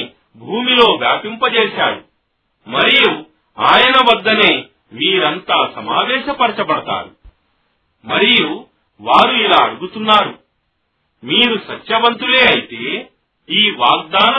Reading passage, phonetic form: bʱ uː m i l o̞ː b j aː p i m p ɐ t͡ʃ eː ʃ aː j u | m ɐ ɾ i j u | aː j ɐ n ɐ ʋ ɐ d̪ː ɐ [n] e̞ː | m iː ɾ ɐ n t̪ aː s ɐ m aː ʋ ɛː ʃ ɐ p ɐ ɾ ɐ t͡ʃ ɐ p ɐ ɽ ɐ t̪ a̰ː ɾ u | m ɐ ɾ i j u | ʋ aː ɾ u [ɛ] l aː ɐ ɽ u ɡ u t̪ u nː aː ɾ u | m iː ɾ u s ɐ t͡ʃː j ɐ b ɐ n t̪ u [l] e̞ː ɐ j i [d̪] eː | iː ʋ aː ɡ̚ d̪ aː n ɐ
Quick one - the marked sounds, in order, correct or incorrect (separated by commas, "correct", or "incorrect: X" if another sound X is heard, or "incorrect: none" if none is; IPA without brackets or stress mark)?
correct, incorrect: i, correct, incorrect: t̪